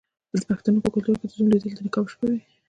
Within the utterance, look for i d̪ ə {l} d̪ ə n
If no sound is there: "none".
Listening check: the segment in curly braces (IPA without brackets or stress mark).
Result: l